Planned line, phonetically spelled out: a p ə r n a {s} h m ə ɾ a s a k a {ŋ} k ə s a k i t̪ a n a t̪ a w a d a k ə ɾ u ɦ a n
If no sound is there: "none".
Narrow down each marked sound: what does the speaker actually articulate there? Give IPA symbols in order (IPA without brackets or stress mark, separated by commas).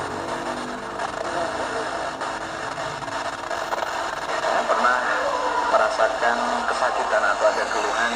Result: none, n